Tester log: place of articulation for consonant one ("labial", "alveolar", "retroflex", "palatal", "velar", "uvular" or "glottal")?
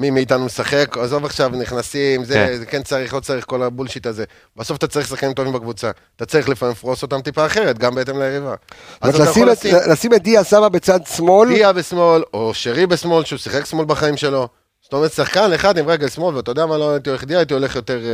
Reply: labial